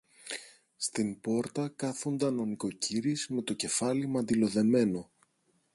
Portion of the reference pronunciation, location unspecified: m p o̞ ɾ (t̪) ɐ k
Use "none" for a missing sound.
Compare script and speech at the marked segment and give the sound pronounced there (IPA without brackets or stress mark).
t̪